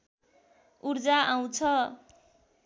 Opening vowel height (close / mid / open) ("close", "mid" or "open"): close